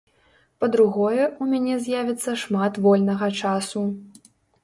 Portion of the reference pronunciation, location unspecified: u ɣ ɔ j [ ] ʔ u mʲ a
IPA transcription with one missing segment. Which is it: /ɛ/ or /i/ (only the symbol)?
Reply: ɛ